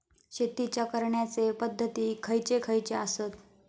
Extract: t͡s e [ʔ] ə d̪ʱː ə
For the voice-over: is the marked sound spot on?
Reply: no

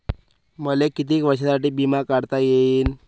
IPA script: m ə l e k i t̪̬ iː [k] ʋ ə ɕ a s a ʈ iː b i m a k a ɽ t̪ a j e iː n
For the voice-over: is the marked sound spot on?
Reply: yes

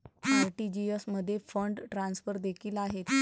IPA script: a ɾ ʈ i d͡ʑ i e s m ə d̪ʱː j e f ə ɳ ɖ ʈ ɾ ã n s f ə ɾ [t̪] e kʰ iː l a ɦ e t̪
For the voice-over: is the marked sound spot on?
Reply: no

